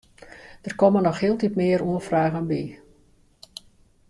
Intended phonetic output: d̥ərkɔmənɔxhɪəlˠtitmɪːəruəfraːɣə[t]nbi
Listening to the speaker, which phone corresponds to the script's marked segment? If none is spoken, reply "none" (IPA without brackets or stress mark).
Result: none